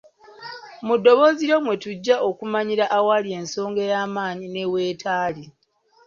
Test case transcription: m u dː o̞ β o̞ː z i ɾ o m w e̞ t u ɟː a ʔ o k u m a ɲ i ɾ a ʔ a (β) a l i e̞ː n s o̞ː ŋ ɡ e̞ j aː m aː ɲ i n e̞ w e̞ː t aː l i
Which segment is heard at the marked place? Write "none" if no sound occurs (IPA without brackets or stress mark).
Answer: w